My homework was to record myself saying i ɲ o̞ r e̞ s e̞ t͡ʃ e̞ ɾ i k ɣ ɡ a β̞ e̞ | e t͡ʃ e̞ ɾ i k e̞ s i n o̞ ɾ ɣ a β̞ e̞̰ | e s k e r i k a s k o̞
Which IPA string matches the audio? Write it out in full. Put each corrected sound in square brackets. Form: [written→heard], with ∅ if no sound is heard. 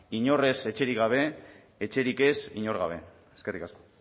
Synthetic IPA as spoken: i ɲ o̞ r e̞ s e̞ t͡ʃ e̞ ɾ i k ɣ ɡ a β̞ e̞ | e t͡ʃ e̞ ɾ i k e̞ s i [n→ɲ] o̞ ɾ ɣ a β̞ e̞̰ | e s k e r i k a s k o̞